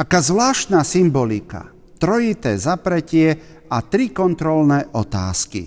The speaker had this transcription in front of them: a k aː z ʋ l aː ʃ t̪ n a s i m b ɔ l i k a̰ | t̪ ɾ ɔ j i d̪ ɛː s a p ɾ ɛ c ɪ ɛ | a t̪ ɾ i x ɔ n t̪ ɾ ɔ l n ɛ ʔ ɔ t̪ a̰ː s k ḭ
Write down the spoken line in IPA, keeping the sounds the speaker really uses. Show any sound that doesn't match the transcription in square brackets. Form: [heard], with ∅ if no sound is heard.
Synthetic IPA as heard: a k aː z ʋ l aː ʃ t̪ n a s i m b ɔ l i k a̰ | t̪ ɾ ɔ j i [t̪] ɛː [z] a p ɾ ɛ c ɪ ɛ | a t̪ ɾ i [k] ɔ n t̪ ɾ ɔ l n ɛ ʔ ɔ t̪ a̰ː s k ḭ